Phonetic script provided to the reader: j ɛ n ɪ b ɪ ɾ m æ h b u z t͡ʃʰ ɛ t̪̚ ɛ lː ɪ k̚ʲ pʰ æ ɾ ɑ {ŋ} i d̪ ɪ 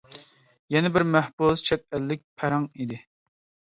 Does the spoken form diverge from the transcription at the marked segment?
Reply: no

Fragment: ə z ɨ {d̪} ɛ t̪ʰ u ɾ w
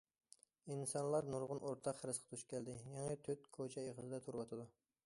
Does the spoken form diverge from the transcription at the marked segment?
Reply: no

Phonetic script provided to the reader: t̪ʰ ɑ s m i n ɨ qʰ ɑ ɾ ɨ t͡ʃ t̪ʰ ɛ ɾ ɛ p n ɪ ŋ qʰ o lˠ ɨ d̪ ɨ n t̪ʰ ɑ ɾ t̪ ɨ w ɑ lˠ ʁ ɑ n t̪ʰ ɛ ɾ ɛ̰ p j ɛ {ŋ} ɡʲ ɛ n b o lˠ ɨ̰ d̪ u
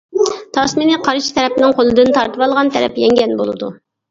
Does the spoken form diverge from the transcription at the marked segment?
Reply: no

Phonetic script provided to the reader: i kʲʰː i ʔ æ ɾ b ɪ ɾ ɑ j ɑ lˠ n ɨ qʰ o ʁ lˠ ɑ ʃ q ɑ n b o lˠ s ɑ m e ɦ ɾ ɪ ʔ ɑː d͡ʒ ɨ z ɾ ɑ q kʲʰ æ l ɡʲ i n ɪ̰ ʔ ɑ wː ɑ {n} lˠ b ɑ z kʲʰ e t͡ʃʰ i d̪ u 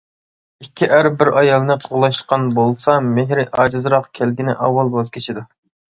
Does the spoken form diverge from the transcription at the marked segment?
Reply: yes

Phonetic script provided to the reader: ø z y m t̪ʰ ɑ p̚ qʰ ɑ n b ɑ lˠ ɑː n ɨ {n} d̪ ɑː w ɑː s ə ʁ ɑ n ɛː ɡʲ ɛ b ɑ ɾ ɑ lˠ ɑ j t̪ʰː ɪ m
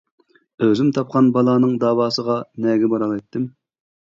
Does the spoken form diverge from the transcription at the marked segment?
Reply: yes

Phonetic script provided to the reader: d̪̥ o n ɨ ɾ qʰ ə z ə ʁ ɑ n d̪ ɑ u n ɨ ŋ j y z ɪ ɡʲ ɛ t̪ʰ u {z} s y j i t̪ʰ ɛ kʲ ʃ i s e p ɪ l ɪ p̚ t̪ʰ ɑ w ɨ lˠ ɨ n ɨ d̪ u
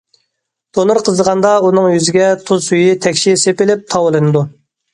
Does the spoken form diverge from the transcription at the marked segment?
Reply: no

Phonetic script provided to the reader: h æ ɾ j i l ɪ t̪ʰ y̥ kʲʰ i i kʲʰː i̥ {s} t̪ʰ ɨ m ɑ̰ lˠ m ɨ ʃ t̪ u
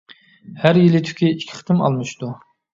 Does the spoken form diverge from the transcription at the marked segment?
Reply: yes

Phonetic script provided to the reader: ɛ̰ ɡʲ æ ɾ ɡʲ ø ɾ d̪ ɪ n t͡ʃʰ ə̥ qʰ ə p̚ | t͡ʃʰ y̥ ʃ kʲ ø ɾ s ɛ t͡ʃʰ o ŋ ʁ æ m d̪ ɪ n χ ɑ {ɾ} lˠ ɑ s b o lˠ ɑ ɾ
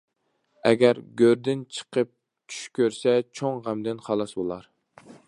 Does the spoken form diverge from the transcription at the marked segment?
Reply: yes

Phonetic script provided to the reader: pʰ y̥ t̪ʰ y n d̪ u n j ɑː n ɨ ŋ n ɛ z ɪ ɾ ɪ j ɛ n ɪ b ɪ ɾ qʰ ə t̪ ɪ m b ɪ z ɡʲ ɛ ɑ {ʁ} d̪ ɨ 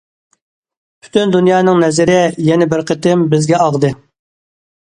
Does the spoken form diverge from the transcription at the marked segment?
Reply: no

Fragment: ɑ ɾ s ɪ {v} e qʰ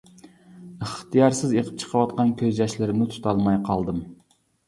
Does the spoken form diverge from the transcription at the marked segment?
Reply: yes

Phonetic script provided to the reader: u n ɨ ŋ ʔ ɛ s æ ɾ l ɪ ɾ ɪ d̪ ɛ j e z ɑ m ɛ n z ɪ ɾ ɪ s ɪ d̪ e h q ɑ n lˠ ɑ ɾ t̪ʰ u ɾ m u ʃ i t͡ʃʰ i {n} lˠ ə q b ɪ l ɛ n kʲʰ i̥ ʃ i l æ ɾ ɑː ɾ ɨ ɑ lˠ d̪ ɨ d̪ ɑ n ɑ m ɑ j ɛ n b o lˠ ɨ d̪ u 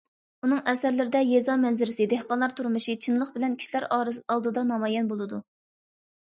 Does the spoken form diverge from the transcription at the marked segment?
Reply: no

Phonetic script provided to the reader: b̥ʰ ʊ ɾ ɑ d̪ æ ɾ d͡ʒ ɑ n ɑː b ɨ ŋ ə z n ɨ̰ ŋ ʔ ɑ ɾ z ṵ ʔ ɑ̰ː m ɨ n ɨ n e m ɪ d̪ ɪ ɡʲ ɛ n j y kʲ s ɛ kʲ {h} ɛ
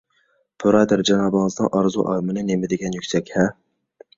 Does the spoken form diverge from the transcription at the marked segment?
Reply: no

